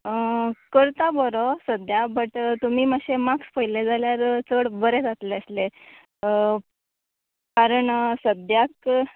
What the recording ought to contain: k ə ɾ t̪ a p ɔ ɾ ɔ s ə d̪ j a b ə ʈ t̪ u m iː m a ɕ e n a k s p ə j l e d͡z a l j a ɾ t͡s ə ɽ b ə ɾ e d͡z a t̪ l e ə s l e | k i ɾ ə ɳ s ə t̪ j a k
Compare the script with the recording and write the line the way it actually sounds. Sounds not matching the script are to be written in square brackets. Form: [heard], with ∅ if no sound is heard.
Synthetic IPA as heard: k ə ɾ t̪ a [b] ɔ ɾ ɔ s ə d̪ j a b ə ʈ t̪ u m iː m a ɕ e [m] a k s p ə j l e d͡z a l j a ɾ t͡s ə ɽ b ə ɾ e d͡z a t̪ l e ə s l e | k [a] ɾ ə ɳ s ə [d̪] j a k